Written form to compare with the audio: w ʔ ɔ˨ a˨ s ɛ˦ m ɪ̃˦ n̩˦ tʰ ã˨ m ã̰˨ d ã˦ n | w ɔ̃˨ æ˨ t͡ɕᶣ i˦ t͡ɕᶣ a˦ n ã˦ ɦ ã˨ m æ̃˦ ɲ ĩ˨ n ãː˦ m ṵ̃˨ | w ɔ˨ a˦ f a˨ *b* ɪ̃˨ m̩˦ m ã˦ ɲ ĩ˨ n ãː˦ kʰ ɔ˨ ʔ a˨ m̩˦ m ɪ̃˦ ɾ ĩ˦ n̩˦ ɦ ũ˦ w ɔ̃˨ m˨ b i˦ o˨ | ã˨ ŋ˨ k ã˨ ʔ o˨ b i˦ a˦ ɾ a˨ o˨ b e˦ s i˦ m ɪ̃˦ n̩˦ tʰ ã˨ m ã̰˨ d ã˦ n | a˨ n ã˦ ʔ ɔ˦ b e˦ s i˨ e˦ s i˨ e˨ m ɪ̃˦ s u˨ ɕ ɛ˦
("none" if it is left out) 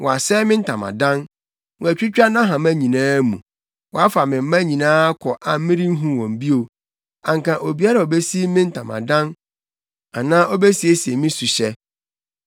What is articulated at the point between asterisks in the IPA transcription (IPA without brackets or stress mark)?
m